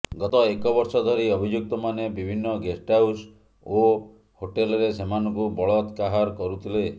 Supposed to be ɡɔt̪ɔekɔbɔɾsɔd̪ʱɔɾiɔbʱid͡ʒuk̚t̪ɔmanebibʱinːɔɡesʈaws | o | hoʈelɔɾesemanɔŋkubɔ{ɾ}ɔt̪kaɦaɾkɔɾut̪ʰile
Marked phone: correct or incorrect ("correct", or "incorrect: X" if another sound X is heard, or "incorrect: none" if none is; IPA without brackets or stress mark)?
incorrect: ɭ